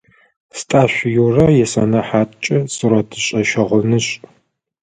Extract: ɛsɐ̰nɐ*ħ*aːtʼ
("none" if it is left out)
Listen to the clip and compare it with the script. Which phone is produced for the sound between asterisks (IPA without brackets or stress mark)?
ħ